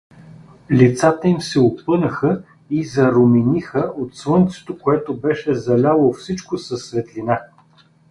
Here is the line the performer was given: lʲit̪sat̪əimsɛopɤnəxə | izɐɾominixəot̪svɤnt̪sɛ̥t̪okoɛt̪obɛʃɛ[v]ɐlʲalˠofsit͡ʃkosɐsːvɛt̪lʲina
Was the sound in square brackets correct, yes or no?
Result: no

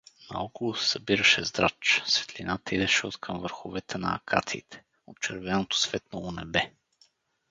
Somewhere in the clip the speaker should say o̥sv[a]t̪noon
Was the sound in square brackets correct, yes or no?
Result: no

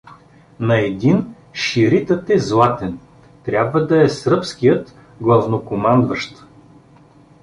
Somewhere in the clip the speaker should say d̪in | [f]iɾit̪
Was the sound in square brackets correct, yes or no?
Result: no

